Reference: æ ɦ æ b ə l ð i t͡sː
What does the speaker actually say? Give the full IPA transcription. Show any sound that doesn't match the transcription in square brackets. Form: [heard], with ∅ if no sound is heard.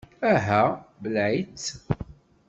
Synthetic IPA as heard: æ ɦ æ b ə l [ʕ] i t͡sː